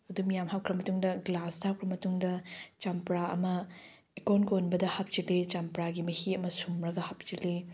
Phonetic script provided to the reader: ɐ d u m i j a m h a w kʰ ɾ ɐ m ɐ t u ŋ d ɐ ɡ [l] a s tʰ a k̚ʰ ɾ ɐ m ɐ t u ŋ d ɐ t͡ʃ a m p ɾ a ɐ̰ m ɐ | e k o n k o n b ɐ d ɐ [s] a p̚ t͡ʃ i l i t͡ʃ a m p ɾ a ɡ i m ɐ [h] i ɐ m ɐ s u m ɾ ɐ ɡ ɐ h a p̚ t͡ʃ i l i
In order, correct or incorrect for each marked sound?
correct, incorrect: h, correct

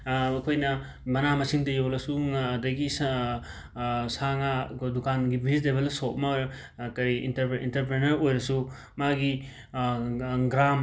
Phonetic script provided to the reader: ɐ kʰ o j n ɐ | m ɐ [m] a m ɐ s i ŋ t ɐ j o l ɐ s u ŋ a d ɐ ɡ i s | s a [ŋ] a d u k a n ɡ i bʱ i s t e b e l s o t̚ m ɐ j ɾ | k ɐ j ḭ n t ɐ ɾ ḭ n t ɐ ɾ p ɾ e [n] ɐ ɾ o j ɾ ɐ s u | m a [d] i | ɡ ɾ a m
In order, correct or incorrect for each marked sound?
incorrect: n, correct, correct, incorrect: ɡ

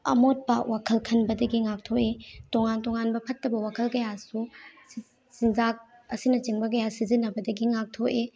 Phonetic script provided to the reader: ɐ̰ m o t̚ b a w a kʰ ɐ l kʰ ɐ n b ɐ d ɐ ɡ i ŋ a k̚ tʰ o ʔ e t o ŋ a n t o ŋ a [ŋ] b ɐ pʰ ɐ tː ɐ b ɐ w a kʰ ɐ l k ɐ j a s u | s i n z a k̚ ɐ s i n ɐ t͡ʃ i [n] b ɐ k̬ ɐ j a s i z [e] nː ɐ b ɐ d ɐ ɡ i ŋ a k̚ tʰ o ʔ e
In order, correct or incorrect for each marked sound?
incorrect: n, incorrect: ŋ, incorrect: i

